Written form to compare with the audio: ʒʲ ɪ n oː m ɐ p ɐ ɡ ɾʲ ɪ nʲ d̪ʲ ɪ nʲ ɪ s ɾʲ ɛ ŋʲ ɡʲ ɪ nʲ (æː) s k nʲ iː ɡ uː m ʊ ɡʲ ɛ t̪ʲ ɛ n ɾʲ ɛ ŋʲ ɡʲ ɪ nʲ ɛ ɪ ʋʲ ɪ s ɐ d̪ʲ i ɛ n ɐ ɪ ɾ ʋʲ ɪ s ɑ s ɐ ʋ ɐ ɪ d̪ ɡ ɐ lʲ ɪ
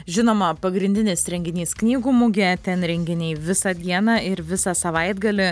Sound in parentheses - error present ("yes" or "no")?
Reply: yes